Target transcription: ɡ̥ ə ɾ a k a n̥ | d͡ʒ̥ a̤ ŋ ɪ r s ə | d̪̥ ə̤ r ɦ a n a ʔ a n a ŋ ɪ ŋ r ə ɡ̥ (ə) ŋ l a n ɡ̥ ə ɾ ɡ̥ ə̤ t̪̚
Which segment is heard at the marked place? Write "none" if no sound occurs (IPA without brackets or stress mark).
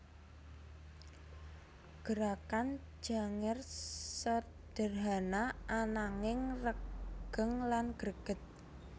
ə